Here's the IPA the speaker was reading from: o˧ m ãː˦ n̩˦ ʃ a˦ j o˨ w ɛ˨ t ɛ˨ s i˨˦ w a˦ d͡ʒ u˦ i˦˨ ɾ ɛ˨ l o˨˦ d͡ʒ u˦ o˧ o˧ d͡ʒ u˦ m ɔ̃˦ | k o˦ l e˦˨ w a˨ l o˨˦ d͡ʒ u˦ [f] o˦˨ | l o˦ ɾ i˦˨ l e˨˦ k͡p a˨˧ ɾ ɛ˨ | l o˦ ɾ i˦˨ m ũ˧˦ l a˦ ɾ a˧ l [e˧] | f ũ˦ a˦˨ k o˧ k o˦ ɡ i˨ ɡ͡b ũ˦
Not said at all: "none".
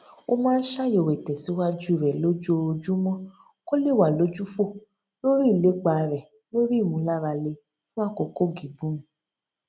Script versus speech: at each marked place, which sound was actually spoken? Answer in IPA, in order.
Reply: f, e˧

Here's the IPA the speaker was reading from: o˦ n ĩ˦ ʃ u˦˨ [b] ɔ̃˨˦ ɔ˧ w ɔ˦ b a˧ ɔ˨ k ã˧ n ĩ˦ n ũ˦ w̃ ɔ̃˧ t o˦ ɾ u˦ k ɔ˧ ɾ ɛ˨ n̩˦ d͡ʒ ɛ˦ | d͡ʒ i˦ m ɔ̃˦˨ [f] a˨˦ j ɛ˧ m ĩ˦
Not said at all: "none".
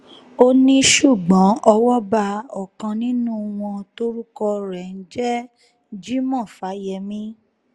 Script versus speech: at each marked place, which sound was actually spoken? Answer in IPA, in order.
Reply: ɡ͡b, f

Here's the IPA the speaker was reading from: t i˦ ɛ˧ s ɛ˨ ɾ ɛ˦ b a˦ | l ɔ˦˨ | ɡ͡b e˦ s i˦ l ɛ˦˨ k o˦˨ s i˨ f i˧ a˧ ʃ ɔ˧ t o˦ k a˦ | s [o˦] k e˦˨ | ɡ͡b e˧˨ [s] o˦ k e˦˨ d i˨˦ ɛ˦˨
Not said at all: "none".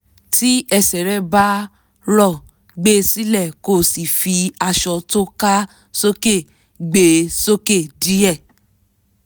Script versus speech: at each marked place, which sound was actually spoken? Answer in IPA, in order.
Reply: o˦, s

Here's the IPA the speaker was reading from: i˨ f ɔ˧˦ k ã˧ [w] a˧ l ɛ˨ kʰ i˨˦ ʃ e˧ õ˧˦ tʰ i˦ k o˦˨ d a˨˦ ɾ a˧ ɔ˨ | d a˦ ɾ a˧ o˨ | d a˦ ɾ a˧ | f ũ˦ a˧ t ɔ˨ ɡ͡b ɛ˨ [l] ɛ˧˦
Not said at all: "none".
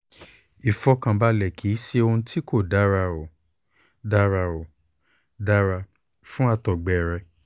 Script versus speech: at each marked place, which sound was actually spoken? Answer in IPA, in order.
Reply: b, ɾ

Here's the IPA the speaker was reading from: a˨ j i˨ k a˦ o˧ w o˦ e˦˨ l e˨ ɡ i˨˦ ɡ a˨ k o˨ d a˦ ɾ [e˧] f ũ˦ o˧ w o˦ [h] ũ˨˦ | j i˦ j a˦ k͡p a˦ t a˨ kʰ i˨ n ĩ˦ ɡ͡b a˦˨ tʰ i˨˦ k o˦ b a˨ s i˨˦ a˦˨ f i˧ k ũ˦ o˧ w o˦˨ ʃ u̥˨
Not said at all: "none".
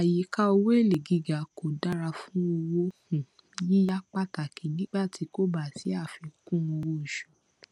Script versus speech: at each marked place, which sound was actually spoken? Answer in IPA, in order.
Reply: a˧, h

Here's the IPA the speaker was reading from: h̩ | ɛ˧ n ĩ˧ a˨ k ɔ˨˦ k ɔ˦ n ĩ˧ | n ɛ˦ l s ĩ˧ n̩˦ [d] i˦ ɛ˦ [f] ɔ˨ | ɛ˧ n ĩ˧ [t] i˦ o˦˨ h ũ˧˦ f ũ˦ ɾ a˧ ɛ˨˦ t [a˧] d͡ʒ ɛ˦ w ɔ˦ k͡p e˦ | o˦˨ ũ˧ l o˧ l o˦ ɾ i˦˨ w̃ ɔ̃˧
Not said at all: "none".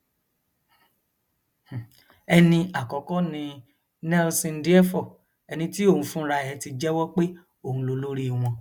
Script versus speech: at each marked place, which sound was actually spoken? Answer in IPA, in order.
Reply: d, f, t, i˧

